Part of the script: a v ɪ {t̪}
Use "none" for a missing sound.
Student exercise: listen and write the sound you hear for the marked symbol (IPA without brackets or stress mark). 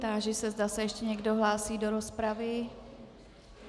none